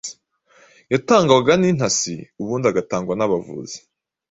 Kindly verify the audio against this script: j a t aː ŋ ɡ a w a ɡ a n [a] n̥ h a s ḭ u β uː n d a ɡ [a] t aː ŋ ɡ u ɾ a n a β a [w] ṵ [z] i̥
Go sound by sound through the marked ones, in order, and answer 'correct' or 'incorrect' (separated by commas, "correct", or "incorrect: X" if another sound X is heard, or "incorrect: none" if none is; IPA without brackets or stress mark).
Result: incorrect: i, correct, incorrect: v, correct